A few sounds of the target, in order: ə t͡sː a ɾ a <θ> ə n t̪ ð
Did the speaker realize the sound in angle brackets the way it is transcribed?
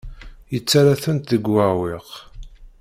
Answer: yes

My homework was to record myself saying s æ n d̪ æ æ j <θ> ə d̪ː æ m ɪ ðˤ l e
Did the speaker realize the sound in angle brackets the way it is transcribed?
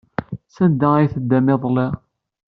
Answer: yes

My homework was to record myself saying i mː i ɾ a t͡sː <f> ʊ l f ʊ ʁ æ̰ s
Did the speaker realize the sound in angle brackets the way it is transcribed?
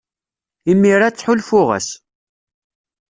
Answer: no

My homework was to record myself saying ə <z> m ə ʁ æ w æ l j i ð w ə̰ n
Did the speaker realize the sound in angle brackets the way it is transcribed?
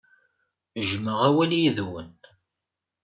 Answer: no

